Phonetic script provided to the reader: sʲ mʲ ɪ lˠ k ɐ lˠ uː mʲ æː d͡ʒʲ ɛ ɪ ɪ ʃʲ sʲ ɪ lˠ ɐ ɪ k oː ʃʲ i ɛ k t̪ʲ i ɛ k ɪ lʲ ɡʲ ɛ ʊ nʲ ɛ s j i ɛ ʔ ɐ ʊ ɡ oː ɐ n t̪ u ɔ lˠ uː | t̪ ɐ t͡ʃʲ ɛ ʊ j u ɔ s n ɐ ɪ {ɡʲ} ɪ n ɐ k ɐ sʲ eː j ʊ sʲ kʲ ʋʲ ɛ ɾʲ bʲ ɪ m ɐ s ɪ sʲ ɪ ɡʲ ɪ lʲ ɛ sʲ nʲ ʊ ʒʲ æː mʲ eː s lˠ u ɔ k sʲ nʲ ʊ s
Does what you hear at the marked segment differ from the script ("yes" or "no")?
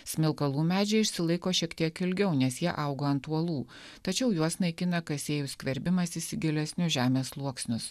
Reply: yes